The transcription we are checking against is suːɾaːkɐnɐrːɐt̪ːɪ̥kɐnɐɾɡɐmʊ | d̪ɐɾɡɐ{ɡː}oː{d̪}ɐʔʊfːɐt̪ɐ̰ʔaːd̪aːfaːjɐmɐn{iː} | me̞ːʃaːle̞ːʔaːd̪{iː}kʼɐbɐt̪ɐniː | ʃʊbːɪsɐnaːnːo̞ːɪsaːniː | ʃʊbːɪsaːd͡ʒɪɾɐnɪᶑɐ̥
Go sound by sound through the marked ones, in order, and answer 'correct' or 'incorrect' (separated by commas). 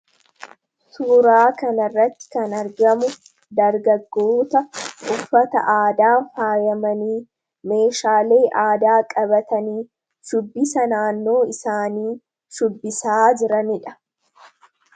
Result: correct, incorrect, correct, incorrect